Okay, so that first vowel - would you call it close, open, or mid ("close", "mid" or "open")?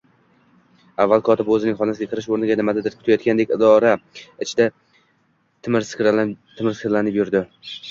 open